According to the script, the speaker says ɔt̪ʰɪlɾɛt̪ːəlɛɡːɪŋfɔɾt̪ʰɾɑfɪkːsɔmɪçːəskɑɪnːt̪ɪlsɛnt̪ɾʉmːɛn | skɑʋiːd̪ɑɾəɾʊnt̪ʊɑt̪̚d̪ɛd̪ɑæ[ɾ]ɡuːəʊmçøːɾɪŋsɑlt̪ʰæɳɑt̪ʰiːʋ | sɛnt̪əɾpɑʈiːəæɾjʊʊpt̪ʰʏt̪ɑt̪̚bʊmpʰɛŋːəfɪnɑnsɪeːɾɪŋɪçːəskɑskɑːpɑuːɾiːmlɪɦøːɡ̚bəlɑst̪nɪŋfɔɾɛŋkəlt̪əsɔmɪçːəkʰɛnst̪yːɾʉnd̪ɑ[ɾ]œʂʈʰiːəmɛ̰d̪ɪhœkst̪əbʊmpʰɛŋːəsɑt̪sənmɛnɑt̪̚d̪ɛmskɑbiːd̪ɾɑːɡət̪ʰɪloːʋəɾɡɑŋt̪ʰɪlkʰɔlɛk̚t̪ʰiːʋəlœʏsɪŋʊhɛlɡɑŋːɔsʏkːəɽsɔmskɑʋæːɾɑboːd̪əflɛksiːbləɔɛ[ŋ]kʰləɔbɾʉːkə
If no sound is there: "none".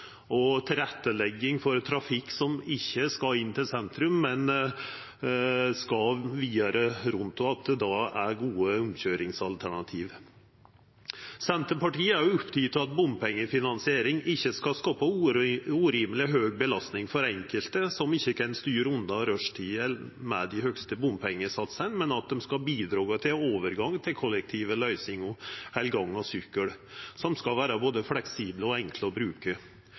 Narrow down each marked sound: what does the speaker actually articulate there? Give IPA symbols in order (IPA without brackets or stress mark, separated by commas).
ɾ, ɾ, ŋ